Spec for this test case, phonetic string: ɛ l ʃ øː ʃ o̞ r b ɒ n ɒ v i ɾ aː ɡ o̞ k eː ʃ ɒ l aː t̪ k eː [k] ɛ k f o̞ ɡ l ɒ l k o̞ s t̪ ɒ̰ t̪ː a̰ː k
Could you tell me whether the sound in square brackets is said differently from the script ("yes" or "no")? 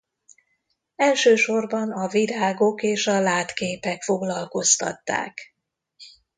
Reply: yes